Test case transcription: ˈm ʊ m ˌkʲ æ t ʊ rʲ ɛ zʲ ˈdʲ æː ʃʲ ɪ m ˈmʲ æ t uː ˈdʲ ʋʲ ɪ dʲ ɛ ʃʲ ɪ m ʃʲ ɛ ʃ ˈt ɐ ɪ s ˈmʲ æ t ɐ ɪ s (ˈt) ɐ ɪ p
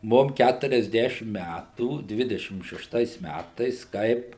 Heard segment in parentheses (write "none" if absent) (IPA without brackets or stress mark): k